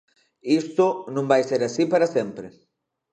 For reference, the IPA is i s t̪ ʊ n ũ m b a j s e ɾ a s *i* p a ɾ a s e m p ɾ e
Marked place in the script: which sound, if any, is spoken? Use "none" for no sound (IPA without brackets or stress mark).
i